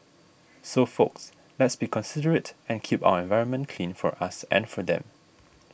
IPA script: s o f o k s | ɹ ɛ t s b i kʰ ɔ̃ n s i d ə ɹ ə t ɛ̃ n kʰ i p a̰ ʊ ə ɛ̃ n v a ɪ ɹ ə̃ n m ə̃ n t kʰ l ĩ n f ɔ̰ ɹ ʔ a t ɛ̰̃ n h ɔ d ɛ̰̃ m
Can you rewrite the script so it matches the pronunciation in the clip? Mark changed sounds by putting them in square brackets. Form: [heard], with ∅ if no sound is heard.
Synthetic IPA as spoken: s o f o k s | [l] ɛ t s b i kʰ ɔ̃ n s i d ə ɹ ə t ɛ̃ n kʰ i p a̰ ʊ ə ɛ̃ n v a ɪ ɹ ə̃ n m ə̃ n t kʰ l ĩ n f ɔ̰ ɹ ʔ a [s] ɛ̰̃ n [f] ɔ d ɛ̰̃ m